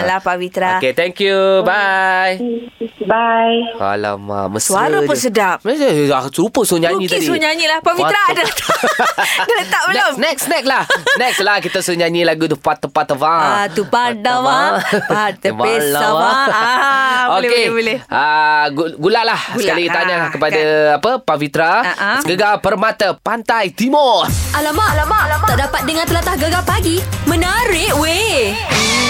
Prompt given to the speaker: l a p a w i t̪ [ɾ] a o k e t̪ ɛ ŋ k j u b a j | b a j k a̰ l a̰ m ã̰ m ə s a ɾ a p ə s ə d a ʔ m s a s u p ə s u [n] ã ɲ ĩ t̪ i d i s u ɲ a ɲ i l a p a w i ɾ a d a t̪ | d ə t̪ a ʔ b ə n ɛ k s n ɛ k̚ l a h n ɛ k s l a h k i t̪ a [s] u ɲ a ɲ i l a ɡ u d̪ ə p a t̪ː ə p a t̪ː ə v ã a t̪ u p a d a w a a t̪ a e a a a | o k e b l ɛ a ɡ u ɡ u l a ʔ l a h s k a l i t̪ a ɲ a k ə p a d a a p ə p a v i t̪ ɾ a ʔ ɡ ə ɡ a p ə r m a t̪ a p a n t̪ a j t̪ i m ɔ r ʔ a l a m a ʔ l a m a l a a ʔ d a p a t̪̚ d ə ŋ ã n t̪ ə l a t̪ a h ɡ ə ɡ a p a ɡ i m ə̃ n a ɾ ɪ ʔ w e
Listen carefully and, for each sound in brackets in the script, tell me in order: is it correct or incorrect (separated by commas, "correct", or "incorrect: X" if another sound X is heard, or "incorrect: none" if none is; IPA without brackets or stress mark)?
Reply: correct, incorrect: ɲ, correct